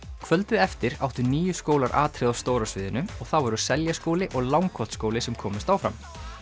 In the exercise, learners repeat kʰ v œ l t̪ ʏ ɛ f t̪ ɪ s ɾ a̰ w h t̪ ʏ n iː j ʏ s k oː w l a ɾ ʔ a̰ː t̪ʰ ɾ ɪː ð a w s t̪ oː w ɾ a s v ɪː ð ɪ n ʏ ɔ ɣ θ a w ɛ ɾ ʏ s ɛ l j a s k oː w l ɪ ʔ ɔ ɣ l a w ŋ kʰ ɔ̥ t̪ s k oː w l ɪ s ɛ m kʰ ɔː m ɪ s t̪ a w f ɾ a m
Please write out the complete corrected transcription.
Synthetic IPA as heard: kʰ v œ l t̪ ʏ ɛ f t̪ ɪ ɾ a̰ w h t̪ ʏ n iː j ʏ s k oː w l a ɾ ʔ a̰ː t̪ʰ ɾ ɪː ð a w s t̪ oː w ɾ a s v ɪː ð ɪ n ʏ ɔ ɣ θ a w ɛ ɾ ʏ s ɛ l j a s k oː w l ɪ ʔ ɔ ɣ l a w ŋ kʰ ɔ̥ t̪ s k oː w l ɪ s ɛ m kʰ ɔː m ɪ s t̪ a w f ɾ a m